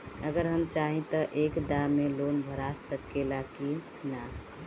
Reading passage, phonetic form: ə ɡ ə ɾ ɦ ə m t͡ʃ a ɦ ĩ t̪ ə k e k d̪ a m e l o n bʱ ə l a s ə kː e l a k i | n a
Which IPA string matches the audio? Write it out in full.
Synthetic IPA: ə ɡ ə ɾ ɦ ə m t͡ʃ a ɦ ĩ t̪ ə ʔ e k d̪ a m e l o n bʱ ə ɾ a s ə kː e l a k i | n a